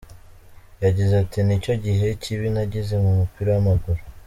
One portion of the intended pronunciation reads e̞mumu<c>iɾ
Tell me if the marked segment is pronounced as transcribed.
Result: no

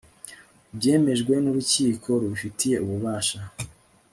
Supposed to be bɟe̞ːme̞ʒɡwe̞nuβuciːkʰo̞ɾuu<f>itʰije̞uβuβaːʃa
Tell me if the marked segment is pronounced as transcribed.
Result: yes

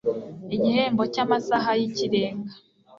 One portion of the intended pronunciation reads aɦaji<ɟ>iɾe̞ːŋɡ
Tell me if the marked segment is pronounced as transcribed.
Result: no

